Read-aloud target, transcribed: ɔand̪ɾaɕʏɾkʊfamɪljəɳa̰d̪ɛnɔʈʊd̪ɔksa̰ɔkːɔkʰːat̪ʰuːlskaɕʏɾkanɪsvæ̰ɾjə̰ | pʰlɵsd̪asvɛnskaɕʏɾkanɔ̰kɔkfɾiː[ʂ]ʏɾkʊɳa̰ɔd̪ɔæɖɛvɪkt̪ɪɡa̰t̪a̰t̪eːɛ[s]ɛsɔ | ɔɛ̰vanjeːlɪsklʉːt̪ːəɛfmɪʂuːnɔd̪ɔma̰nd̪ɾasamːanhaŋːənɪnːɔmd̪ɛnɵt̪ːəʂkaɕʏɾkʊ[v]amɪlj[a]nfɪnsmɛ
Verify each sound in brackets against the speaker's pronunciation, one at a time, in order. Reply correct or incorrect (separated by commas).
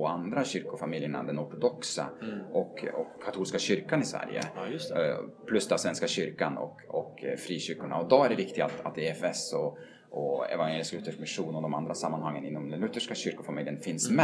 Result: incorrect, incorrect, incorrect, incorrect